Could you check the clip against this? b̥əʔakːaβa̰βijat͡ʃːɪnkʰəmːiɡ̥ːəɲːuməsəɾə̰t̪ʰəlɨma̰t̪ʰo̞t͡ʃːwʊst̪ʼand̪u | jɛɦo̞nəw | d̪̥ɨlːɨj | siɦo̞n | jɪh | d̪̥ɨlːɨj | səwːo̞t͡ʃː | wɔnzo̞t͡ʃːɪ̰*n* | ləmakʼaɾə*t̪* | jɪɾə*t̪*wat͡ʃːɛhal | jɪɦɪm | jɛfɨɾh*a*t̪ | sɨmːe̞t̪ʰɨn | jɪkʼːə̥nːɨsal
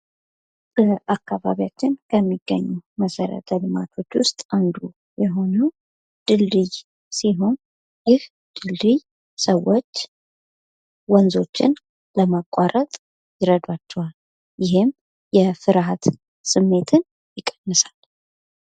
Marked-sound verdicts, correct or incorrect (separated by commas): correct, incorrect, incorrect, correct